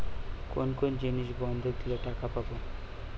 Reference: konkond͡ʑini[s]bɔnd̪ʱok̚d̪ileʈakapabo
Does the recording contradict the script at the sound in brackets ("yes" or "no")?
yes